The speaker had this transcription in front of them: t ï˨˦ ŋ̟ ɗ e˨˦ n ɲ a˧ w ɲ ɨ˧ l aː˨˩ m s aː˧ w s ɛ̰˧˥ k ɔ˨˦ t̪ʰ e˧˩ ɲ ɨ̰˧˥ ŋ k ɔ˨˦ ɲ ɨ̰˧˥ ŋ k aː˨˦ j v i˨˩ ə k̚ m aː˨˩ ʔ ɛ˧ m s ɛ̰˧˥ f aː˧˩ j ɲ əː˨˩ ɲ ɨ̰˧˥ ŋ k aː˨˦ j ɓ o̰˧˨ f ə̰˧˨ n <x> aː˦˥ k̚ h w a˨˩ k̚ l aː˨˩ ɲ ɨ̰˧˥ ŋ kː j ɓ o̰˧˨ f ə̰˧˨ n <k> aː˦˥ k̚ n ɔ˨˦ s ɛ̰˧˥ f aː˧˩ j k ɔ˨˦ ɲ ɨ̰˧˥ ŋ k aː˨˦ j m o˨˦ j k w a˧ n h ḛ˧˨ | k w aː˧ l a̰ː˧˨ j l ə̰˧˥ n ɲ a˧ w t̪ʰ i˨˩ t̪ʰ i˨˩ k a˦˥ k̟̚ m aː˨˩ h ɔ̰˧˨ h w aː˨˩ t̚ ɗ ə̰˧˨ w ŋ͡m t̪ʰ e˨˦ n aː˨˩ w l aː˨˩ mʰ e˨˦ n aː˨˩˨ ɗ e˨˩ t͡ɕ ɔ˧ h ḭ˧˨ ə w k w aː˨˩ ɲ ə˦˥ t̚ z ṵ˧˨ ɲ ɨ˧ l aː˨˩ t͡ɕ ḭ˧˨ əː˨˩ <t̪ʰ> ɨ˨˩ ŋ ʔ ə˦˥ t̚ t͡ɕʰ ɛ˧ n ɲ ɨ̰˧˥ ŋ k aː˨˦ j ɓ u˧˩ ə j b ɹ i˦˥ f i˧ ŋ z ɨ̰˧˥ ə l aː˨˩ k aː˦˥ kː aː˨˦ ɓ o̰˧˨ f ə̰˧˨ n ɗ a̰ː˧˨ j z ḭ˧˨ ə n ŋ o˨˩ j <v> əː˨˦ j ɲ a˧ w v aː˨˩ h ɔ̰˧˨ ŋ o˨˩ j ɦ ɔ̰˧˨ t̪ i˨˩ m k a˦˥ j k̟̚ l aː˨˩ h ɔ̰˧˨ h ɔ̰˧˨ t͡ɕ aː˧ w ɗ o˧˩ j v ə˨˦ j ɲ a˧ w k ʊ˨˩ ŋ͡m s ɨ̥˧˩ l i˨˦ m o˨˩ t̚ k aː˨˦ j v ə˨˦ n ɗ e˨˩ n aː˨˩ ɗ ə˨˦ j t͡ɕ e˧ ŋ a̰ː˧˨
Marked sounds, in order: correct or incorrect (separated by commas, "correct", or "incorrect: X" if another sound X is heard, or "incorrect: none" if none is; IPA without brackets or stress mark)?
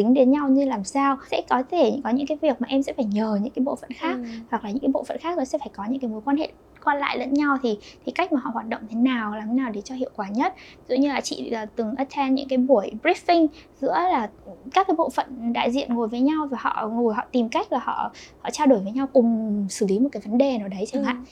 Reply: correct, incorrect: x, incorrect: t̪, correct